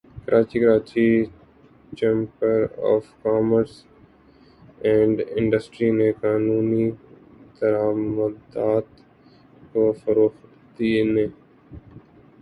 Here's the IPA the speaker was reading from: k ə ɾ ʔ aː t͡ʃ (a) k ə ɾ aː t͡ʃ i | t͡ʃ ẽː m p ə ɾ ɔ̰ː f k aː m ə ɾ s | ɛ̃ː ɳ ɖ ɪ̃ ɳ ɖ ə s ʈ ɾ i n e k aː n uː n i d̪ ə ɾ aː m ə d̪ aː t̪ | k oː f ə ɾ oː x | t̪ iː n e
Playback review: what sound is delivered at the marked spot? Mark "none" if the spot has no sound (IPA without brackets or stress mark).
i